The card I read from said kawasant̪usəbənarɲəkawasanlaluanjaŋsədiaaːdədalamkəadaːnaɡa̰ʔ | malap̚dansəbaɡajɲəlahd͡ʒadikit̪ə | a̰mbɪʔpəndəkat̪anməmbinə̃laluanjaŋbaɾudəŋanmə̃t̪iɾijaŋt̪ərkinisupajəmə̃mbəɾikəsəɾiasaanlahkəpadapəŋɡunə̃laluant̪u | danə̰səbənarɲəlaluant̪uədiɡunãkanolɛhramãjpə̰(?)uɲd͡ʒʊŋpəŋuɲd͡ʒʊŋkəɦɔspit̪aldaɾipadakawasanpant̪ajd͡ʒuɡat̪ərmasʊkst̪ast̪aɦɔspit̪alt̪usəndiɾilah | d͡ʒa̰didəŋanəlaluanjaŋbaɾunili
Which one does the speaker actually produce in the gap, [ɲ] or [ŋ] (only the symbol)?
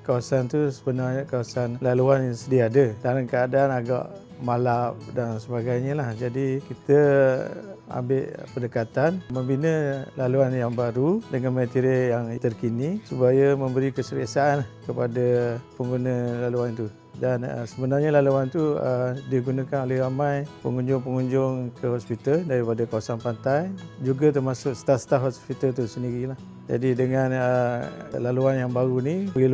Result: ŋ